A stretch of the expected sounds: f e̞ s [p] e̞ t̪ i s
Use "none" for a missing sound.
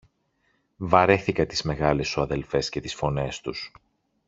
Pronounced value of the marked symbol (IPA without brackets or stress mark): c